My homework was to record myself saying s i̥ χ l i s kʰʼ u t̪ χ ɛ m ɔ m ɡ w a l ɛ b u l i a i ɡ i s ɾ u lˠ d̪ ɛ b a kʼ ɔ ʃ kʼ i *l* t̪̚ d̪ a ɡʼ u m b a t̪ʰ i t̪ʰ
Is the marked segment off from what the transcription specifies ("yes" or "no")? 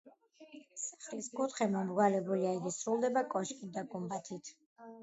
yes